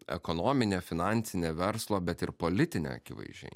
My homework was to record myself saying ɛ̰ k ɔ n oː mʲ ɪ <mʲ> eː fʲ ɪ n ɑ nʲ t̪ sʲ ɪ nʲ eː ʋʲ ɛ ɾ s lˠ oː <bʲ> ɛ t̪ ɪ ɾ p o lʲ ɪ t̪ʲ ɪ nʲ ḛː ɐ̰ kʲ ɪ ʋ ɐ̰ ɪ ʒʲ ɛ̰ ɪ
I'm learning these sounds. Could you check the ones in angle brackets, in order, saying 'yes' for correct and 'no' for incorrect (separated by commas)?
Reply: no, yes